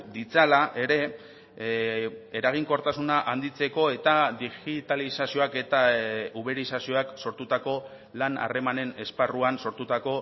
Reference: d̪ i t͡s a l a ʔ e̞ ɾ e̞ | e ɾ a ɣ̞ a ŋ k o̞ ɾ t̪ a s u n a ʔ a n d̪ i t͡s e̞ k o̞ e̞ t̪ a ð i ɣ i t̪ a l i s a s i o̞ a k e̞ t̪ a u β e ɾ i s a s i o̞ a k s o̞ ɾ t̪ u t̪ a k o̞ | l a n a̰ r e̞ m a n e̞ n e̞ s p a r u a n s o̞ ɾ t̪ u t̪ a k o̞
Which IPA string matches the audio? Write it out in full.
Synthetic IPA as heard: d̪ i t͡s a l a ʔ e̞ ɾ e̞ | e ɾ a ɣ̞ i ŋ k o̞ ɾ t̪ a s u n a ʔ a n d̪ i t͡s e̞ k o̞ e̞ t̪ a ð i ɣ i t̪ a l i s a s i o̞ a k e̞ t̪ a u β e ɾ i s a s i o̞ a k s o̞ ɾ t̪ u t̪ a k o̞ | l a n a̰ r e̞ m a n e̞ n e̞ s p a r u a n s o̞ ɾ t̪ u t̪ a k o̞